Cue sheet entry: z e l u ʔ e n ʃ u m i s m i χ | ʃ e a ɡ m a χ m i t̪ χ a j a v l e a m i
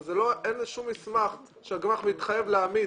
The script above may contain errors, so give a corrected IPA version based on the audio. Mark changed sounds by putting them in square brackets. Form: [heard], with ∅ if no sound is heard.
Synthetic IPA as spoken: z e l [o] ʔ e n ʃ u m i s m [a] χ | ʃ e a ɡ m a χ m i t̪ χ a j [e] v l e a m i